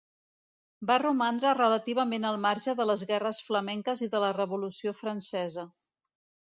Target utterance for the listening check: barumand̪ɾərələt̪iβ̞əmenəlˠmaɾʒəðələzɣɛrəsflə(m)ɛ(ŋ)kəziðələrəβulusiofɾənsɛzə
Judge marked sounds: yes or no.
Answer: yes, yes

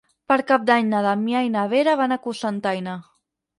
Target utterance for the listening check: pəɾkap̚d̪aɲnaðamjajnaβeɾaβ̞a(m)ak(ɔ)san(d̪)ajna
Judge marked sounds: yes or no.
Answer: no, no, no

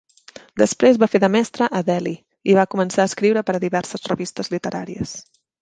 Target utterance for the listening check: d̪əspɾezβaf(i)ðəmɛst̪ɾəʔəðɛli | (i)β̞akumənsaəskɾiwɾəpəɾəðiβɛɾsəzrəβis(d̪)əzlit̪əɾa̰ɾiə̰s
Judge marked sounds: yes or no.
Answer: no, yes, no

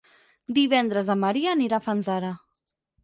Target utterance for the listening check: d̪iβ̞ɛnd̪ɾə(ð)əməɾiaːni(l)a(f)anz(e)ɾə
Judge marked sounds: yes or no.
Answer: no, no, yes, no

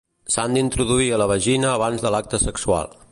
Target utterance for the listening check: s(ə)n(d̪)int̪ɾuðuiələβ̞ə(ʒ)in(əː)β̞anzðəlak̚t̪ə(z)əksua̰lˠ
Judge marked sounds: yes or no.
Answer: no, yes, yes, yes, no

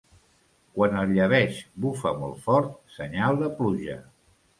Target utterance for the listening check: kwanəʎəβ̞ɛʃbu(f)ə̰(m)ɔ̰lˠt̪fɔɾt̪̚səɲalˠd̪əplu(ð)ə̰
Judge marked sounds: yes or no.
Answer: yes, yes, no

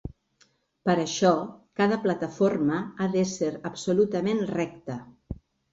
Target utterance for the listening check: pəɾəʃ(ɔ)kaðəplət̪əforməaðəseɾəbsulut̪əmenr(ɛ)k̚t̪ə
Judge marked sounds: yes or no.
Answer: yes, yes

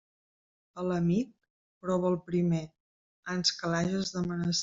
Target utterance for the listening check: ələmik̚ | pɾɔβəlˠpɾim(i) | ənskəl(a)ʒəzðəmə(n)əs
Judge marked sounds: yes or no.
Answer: no, yes, yes

